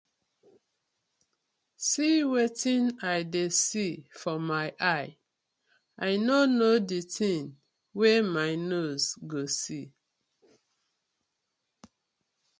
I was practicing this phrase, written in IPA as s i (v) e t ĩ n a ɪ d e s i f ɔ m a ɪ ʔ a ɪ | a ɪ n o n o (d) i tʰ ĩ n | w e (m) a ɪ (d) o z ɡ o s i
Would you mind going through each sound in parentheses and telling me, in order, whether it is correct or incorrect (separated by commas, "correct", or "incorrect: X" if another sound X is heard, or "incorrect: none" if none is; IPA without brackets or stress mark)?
incorrect: w, correct, correct, incorrect: n